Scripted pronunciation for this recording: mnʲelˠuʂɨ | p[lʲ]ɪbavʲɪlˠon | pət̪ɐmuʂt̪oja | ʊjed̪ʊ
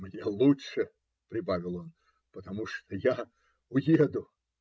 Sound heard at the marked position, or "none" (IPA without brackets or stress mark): ɾʲ